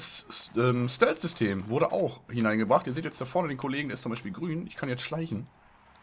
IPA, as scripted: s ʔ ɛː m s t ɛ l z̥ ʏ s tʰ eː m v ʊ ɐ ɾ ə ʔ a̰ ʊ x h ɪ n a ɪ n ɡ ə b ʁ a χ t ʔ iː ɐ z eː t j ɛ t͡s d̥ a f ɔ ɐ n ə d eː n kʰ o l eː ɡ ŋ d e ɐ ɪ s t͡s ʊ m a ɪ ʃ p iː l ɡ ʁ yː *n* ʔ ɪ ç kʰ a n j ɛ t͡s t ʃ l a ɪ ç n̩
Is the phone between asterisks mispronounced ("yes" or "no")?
no